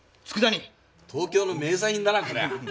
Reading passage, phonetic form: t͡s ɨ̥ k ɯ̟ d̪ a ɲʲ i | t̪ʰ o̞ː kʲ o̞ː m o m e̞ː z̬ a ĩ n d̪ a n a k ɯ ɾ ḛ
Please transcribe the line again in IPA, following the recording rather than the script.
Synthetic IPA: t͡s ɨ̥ k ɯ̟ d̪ a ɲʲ i | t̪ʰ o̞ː kʲ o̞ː n o m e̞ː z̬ a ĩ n d̪ a n a k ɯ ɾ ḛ